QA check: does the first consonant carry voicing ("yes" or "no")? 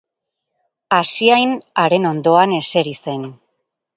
no